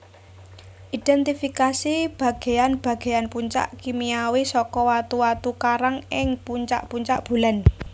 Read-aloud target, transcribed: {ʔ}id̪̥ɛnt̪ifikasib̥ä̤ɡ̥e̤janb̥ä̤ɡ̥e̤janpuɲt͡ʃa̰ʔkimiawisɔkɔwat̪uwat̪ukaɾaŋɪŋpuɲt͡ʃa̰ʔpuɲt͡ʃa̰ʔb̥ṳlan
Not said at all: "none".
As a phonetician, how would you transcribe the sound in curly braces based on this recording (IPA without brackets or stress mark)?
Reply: ʔ